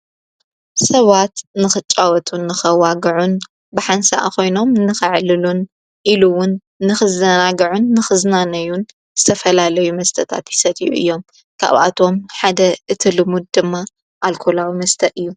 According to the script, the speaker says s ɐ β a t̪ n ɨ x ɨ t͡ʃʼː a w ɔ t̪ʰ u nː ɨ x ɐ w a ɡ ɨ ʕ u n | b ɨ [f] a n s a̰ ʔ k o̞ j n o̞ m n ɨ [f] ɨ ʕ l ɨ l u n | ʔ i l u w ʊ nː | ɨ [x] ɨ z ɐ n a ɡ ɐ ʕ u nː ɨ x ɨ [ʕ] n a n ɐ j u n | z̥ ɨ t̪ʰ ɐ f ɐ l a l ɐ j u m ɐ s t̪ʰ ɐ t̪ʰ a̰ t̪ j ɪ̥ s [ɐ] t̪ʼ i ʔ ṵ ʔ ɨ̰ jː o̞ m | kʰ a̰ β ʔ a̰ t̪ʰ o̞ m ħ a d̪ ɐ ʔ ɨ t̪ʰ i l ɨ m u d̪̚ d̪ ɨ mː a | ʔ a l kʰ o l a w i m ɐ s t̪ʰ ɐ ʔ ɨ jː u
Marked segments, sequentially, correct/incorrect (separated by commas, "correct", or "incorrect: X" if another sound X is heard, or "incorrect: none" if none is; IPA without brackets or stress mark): incorrect: ħ, incorrect: x, correct, incorrect: z, correct